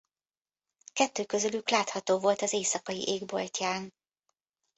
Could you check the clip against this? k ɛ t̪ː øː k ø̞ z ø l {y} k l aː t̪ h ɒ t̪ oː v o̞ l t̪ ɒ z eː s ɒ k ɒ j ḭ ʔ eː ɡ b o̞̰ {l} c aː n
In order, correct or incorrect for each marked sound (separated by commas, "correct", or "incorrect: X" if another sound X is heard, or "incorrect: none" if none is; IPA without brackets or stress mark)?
correct, correct